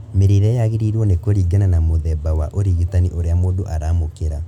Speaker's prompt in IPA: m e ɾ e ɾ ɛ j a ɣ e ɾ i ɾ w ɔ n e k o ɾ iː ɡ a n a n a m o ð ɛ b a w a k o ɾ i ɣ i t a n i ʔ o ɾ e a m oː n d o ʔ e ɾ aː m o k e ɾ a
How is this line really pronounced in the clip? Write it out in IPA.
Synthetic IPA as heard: m e ɾ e ɾ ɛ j a ɣ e ɾ i ɾ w ɔ n e k o ɾ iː ɡ a n a n a m o ð ɛ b a w a ʔ o ɾ i ɣ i t a n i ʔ o ɾ e a m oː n d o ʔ a ɾ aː m o k e ɾ a